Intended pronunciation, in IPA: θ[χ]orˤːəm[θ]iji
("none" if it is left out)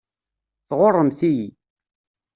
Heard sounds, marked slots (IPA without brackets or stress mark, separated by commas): ʁ, θ